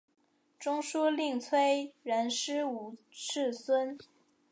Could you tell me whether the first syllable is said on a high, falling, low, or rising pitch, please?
high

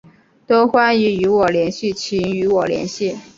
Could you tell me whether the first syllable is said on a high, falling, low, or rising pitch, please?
high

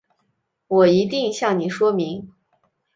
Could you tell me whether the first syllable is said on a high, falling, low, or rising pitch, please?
low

